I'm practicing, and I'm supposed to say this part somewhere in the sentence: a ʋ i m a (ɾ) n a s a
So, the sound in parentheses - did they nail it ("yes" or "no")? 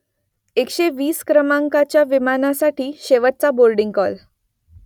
no